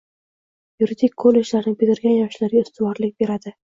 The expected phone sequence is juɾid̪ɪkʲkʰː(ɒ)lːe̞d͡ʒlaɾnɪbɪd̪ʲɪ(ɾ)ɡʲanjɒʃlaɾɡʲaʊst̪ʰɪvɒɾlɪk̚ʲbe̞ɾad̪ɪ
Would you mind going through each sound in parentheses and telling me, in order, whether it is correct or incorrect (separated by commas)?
incorrect, correct